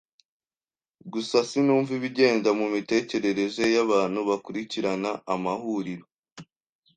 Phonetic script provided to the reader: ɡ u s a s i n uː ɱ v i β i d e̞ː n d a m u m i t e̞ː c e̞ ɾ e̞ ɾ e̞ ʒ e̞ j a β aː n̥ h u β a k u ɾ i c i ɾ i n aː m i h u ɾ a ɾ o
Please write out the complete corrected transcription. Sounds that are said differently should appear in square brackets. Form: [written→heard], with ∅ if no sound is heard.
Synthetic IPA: ɡ u s a s i n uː ɱ v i β i [d→ɟ] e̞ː n d a m u m i t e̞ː c e̞ ɾ e̞ ɾ e̞ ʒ e̞ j a β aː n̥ h u β a k u ɾ i c i ɾ [i→a] n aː m [i→a] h u ɾ [a→i] ɾ o